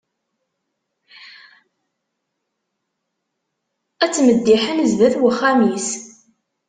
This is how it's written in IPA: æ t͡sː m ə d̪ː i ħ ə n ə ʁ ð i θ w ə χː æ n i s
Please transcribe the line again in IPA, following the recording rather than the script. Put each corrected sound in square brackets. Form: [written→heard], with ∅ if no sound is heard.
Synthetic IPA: æ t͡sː m ə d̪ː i ħ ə n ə [ʁ→z] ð [i→æ] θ w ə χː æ [n→m] i s